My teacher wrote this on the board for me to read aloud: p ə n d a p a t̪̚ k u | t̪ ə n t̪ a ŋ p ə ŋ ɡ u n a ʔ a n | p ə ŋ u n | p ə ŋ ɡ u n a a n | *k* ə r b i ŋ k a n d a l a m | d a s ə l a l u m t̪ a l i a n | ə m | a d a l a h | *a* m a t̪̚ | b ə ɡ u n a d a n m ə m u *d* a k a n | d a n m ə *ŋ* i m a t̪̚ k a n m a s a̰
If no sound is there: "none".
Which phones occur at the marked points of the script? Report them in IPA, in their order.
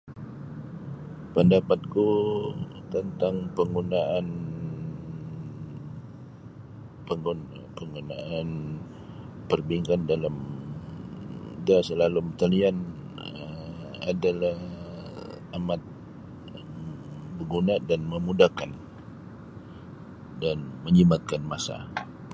p, a, d, ɲ

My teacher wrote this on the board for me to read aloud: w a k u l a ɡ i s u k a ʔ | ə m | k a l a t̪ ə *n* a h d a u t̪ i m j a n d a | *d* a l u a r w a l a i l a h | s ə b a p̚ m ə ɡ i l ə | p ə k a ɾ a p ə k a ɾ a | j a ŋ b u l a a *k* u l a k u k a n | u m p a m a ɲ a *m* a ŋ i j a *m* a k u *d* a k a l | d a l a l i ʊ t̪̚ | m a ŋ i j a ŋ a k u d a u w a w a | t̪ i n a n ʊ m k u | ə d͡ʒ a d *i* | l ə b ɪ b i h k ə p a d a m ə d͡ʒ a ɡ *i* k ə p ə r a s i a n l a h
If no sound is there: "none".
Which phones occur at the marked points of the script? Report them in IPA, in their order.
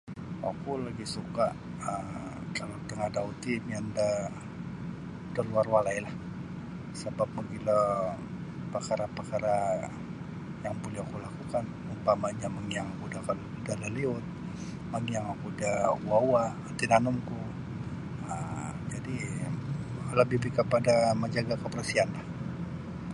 ŋ, d, k, m, ŋ, d, i, a

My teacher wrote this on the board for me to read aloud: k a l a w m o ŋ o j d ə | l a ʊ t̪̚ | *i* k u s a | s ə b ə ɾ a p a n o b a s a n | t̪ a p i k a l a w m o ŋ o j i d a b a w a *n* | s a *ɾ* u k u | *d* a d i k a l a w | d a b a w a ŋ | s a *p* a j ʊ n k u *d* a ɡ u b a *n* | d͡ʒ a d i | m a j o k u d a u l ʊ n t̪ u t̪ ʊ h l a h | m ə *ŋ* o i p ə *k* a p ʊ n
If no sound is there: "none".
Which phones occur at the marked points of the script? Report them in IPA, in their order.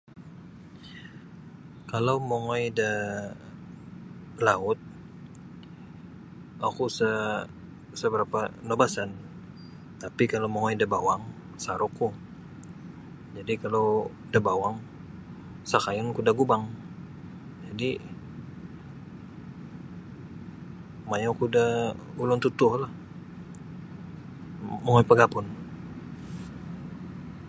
a, ŋ, ɾ, d͡ʒ, k, d, ŋ, ŋ, ɡ

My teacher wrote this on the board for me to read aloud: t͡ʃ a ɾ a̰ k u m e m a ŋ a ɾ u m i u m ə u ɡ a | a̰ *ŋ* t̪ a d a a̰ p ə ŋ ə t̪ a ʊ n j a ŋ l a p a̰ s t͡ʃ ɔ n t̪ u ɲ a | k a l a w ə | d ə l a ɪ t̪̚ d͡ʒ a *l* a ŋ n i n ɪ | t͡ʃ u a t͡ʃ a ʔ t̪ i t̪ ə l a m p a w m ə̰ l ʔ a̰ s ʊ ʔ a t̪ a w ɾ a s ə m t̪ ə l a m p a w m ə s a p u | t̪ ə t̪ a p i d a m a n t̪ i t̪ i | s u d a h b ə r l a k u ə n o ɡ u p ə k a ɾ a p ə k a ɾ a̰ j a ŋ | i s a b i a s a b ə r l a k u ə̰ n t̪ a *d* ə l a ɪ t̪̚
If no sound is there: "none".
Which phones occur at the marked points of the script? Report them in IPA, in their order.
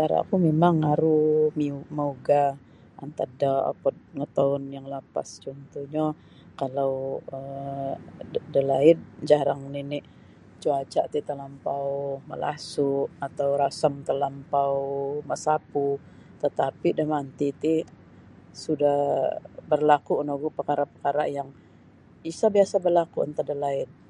n, ɾ, d

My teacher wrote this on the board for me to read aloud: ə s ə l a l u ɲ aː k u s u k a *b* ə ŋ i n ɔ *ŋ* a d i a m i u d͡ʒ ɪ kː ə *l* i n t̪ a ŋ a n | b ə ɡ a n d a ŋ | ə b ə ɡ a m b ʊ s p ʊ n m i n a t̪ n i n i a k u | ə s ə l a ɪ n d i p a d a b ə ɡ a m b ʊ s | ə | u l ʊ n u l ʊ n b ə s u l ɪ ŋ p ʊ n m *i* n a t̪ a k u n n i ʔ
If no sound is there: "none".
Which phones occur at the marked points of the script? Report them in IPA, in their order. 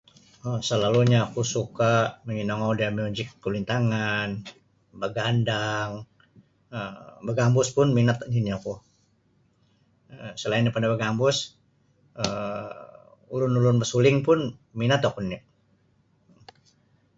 m, ŋ, l, i

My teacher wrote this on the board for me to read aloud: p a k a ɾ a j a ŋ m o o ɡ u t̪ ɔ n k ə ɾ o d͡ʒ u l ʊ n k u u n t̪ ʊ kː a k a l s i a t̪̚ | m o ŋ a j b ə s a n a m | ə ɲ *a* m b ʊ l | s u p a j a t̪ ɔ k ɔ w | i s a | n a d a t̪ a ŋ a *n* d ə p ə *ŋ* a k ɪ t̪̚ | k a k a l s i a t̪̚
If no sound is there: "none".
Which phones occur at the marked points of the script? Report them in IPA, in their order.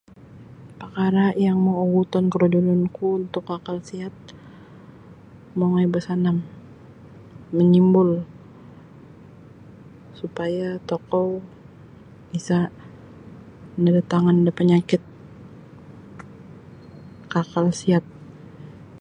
i, n, ɲ

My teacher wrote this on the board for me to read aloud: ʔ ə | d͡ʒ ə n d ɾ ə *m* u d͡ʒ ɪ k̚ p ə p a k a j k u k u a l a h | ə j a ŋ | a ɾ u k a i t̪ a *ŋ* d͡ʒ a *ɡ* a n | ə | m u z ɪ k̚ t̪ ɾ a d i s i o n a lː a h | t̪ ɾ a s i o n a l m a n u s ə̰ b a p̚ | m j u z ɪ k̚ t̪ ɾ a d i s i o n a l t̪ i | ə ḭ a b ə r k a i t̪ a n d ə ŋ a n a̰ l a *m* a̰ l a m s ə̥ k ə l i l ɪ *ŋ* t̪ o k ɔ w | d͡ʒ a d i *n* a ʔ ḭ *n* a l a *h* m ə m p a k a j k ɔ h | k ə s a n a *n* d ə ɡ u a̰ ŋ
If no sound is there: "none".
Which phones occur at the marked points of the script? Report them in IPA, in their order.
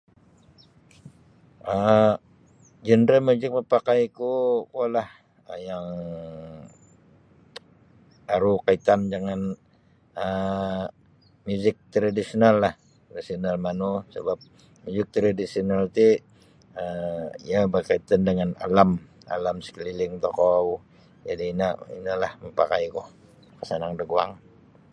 m, n, ŋ, m, ŋ, n, n, h, ŋ

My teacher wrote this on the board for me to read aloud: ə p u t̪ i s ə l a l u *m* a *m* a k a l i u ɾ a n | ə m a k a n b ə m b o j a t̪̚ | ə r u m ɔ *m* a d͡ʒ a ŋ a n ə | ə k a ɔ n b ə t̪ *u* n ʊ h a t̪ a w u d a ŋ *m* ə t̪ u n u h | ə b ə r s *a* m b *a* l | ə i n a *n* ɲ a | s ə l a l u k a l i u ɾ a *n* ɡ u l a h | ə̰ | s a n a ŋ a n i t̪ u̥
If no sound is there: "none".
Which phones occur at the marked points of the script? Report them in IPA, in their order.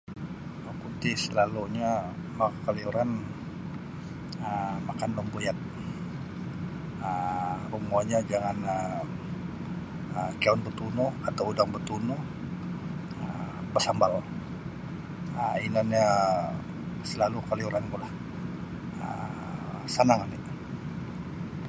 ɲ, m, ɲ, u, b, a, a, n, n

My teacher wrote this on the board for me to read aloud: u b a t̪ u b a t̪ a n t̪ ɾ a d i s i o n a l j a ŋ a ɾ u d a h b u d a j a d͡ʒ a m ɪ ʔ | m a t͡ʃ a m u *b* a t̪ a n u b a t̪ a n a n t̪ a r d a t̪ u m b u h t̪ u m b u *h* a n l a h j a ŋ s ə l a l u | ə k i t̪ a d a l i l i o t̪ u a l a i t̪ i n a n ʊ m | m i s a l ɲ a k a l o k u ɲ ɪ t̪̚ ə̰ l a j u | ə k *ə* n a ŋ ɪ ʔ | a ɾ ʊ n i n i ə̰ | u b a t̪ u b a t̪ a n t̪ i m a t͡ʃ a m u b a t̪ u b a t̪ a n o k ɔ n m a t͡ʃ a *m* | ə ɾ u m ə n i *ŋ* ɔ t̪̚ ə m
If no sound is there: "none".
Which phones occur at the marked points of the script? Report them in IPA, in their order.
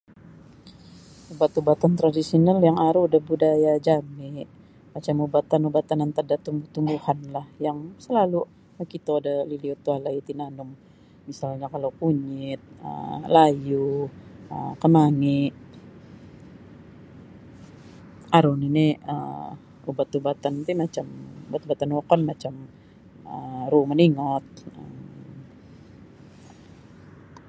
b, h, ə, m, ŋ

